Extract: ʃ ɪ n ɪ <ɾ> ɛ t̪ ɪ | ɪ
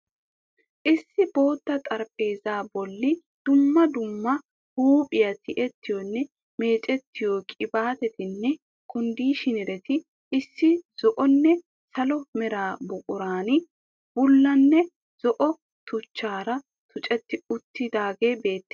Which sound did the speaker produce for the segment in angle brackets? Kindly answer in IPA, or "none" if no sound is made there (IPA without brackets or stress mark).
ɾ